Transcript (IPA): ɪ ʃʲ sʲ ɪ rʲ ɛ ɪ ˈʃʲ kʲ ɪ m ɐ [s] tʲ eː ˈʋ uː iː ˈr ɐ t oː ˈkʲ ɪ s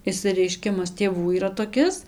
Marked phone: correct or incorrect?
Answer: correct